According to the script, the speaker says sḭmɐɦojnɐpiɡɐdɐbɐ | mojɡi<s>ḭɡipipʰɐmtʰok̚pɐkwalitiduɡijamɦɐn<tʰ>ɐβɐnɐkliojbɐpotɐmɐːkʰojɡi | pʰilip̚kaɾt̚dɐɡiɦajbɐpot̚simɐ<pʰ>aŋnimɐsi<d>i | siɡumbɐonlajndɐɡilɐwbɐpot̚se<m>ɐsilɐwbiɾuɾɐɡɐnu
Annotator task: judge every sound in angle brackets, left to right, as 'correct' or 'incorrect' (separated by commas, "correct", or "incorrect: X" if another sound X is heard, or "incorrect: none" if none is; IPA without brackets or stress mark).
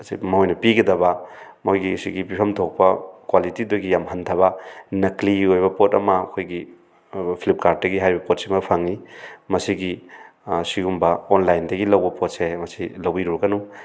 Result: correct, correct, correct, incorrect: ɡ, correct